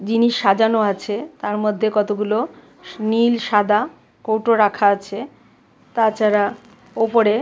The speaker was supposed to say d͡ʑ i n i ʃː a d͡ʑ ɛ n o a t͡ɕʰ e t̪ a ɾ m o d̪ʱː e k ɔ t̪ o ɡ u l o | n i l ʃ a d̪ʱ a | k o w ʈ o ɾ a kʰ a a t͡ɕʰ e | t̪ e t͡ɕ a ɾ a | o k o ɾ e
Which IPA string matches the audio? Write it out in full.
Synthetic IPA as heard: d͡ʑ i n i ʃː a d͡ʑ a n o a t͡ɕʰ e t̪ a ɾ m o d̪ʱː e k ɔ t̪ o ɡ u l o | n i l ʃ a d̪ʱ a | k o w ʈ o ɾ a kʰ a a t͡ɕʰ e | t̪ a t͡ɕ a ɾ a | o p o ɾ e